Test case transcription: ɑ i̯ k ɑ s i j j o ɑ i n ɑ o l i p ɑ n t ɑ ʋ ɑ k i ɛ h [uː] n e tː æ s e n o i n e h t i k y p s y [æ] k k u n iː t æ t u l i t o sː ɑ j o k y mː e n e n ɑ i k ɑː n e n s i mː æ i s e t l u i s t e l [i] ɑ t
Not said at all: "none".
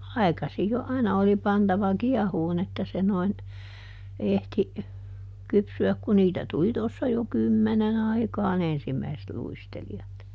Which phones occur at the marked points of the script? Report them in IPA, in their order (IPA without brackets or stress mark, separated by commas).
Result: uː, æ, i